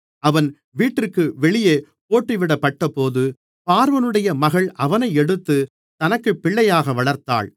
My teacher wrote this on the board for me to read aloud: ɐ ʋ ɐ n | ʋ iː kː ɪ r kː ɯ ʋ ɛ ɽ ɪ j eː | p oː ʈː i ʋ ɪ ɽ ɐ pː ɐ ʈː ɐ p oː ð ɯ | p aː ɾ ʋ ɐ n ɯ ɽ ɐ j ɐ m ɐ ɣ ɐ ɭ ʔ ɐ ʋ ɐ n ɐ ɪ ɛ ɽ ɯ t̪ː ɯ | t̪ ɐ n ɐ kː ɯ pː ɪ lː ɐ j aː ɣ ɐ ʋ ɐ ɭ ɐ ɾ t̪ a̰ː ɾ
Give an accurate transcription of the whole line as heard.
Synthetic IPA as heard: ɐ ʋ ɐ n | ʋ iː ʈː ɪ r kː ɯ ʋ ɛ ɭ ɪ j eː | p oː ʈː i ʋ ɪ ɽ ɐ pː ɐ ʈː ɐ p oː ð ɯ | p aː ɾ ʋ ɐ n ɯ ɽ ɐ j ɐ m ɐ ɣ ɐ ɭ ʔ ɐ ʋ ɐ n ɐ ɪ ɛ ɽ ɯ t̪ː ɯ | t̪ ɐ n ɐ kː ɯ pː ɪ ɭː ɐ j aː ɣ ɐ ʋ ɐ ɭ ɐ ɾ t̪ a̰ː ɭ